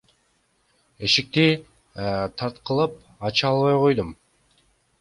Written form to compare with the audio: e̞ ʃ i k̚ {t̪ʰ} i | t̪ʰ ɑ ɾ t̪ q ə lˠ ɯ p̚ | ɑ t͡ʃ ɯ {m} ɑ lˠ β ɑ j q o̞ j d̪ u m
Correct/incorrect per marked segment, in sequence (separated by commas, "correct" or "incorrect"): incorrect, incorrect